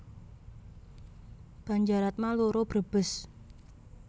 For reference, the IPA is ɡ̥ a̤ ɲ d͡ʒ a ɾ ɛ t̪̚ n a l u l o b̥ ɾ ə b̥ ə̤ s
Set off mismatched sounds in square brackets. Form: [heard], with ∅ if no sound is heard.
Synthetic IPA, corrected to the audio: [b̥] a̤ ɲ d͡ʒ a ɾ [a] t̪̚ [m] a l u [ɾ] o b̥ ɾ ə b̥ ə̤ s